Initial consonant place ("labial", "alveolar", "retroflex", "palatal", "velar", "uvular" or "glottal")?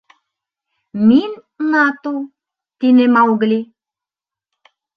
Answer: labial